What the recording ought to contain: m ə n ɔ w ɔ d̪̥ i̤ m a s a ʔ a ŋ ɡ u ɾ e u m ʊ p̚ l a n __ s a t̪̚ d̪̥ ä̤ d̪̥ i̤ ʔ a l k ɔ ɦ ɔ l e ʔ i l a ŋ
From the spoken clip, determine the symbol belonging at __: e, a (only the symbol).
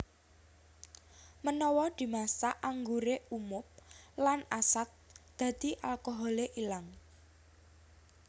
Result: a